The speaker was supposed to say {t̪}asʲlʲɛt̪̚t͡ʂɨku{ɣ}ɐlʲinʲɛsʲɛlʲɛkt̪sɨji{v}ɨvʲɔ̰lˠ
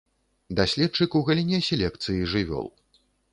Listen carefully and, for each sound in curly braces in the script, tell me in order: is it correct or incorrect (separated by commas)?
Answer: incorrect, correct, incorrect